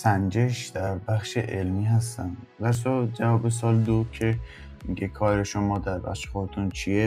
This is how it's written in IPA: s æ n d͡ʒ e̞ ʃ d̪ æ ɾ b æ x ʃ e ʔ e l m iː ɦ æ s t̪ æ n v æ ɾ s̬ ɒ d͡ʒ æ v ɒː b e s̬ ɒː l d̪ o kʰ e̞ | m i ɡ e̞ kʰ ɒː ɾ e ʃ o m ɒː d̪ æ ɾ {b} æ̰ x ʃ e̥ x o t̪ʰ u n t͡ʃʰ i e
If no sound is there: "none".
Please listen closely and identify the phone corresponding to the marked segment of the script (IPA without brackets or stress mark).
b